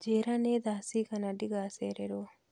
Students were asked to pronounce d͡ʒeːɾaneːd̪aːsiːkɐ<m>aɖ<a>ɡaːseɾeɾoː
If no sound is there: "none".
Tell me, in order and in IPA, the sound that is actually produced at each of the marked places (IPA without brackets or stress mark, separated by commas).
n, i